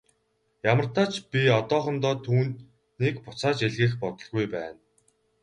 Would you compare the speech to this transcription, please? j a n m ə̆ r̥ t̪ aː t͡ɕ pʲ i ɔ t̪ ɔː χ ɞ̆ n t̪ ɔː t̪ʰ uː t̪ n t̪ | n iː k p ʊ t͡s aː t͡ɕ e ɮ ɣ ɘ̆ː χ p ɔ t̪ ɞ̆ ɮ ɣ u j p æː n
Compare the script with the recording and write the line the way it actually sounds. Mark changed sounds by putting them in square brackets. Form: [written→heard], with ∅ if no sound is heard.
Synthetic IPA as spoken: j a [n→∅] m ə̆ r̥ t̪ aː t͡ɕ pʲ i ɔ t̪ ɔː χ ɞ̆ n t̪ ɔː t̪ʰ uː [t̪→∅] n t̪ | n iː k p ʊ t͡s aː t͡ɕ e ɮ ɣ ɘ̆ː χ p ɔ t̪ ɞ̆ ɮ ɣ u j p æː n

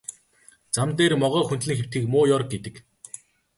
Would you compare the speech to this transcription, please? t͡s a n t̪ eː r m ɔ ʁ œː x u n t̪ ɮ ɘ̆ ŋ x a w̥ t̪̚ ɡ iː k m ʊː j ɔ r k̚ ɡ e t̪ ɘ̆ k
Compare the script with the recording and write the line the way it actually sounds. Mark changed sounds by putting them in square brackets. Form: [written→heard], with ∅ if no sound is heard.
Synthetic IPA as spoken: t͡s a [n→m] t̪ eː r m ɔ ʁ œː x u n t̪ ɮ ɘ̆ ŋ x [a→e] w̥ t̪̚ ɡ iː k m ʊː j ɔ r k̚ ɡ e t̪ ɘ̆ k

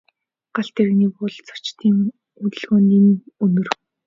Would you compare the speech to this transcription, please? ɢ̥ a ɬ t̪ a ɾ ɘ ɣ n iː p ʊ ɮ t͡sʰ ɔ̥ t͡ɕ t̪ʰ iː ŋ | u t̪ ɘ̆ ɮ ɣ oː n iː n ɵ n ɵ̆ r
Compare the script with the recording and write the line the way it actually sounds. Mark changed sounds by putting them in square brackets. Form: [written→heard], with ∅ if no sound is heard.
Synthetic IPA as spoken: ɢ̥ a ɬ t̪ [a→e] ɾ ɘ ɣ n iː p ʊ ɮ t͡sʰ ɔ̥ t͡ɕ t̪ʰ iː ŋ | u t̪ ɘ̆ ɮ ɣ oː n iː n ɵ n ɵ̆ r

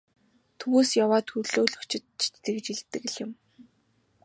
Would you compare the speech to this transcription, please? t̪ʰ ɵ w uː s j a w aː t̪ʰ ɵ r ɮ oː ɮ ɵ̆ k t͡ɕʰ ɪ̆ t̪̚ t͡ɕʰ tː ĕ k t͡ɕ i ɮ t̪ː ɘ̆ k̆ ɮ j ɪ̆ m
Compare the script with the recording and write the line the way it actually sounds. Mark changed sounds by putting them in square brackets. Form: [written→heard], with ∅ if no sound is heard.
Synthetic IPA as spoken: t̪ʰ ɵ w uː s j a w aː t̪ʰ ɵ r ɮ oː ɮ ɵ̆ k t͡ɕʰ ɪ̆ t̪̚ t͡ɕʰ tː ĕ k t͡ɕ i ɮ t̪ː ɘ̆ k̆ ɮ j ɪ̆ m

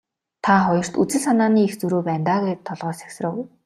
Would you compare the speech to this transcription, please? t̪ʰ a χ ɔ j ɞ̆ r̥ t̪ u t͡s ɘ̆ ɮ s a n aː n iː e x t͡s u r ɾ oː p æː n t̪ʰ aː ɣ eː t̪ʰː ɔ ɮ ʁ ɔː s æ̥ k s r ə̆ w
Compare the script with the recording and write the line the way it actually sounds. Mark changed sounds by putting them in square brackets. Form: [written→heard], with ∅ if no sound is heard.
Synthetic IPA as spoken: t̪ʰ a χ ɔ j ɞ̆ r̥ t̪ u t͡s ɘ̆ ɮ s a n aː n iː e x t͡s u [r→∅] ɾ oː p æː n [t̪ʰ→t̪] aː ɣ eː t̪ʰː ɔ ɮ ʁ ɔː s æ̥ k s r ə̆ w

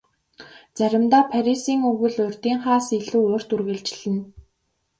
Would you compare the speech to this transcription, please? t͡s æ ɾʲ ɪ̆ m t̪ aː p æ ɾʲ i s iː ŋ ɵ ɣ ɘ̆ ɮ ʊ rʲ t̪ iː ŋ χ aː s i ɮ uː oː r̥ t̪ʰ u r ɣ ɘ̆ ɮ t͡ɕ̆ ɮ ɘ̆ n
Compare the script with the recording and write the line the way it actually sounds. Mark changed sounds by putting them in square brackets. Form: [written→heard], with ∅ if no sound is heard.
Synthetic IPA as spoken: t͡s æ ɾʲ ɪ̆ m t̪ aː [p→pʰ] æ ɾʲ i s iː ŋ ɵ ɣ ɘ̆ ɮ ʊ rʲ t̪ iː ŋ χ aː s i ɮ uː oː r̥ [t̪ʰ→t̪] u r ɣ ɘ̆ ɮ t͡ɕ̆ ɮ ɘ̆ n

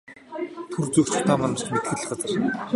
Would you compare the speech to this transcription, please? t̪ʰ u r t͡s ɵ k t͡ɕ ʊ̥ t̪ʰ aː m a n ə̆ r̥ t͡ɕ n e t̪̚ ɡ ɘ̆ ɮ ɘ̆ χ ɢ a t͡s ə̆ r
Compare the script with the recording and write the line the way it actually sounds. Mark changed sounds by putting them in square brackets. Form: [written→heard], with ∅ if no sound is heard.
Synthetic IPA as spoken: t̪ʰ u r t͡s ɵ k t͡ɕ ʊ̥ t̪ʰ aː m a n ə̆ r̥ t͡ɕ [n→m] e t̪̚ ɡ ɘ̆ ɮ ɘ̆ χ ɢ a t͡s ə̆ r

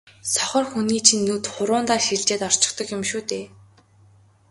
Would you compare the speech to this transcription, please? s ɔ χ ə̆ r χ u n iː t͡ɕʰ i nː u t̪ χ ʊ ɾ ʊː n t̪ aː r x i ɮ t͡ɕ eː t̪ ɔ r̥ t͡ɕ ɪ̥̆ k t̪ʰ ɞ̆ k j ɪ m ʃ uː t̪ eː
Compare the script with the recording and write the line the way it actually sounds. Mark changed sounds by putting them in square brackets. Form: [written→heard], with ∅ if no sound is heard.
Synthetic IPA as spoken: s ɔ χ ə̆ r [χ→x] u n iː t͡ɕʰ i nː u t̪ χ ʊ ɾ ʊː n t̪ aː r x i ɮ t͡ɕ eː t̪ ɔ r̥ t͡ɕ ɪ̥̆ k [t̪ʰ→t̪] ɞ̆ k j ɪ m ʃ uː t̪ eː

